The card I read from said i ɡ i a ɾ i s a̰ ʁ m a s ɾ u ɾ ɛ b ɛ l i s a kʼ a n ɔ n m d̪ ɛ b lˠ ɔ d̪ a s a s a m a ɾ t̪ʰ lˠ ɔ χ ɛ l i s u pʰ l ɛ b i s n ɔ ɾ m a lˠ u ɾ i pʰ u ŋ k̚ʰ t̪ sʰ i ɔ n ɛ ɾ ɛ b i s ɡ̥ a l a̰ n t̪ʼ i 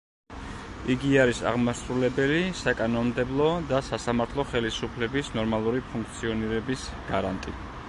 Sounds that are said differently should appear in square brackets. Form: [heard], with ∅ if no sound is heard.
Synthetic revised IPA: i ɡ i a ɾ i s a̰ ʁ m a s ɾ u [l] ɛ b ɛ l i s a kʼ a n ɔ n m d̪ ɛ b lˠ ɔ d̪ a s a s a m a ɾ t̪ʰ lˠ ɔ χ ɛ l i s u pʰ l ɛ b i s n ɔ ɾ m a lˠ u ɾ i pʰ u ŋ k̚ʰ t̪ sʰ i ɔ n [i] ɾ ɛ b i s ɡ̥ a [ɾ] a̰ n t̪ʼ i